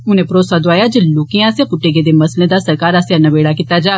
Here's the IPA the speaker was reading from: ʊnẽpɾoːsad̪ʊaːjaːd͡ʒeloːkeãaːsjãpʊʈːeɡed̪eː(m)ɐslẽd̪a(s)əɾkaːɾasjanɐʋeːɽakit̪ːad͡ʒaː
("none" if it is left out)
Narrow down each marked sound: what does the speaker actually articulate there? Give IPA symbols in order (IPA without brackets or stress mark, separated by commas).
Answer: m, s